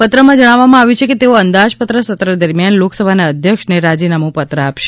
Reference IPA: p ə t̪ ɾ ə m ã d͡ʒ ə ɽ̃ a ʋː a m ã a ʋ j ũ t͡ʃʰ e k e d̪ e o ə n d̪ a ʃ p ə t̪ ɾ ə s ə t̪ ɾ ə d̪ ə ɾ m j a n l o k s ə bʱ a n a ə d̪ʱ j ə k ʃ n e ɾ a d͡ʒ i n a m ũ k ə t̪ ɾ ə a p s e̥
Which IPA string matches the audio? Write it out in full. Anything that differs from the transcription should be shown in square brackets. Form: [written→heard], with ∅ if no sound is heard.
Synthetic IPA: p ə t̪ ɾ ə m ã d͡ʒ ə ɽ̃ a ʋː a m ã a ʋ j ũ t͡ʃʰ e k e [d̪→t̪] e o ə n d̪ a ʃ p ə t̪ ɾ ə s ə t̪ ɾ ə d̪ ə ɾ m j a n l o k s ə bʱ a n a ə d̪ʱ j ə k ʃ n e ɾ a d͡ʒ i n a m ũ [k→p] ə t̪ ɾ ə a p [s→ʃ] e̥